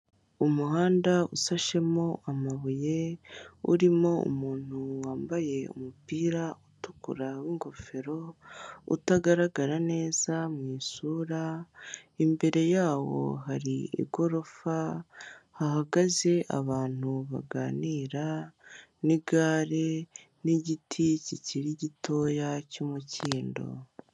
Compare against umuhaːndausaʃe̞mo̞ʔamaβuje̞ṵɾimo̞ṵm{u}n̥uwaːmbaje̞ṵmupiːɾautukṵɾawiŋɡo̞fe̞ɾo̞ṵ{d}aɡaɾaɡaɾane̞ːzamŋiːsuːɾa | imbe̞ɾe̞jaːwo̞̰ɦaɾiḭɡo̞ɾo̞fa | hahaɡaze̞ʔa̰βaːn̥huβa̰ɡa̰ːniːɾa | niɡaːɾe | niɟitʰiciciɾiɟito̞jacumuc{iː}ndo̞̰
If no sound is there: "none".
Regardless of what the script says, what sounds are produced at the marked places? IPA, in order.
uː, t, iː

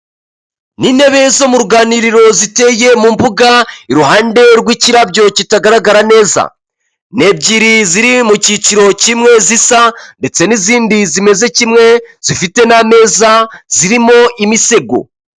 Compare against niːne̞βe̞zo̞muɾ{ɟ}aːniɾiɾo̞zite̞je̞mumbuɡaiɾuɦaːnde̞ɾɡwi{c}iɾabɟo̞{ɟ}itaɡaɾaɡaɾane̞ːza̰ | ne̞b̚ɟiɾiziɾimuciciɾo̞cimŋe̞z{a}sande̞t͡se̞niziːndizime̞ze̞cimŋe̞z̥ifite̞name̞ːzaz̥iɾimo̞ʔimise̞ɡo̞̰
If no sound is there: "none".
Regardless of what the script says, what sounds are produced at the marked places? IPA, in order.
ɡ, c, c, i

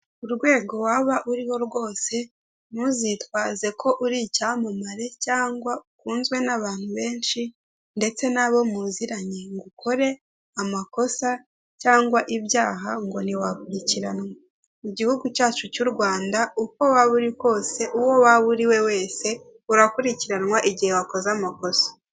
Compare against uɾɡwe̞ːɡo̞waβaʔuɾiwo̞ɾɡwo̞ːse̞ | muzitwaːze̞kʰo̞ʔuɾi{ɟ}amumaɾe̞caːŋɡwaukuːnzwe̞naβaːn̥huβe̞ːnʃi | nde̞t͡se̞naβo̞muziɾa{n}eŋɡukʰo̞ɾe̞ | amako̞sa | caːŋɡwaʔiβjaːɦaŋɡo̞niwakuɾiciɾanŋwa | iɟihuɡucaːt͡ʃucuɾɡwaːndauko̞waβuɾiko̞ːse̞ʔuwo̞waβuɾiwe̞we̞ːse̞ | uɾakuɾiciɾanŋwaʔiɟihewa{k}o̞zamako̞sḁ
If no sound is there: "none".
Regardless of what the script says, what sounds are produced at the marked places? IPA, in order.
c, ɲ, k

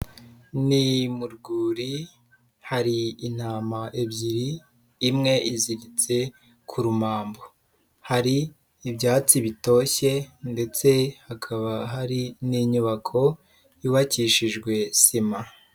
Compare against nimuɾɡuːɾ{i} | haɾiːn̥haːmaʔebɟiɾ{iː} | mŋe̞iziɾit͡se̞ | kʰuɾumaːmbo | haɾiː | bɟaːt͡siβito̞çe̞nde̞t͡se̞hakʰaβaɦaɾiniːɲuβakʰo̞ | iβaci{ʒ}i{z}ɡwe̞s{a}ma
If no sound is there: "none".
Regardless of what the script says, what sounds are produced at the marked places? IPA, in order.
i, iː, ʃ, ʒ, i

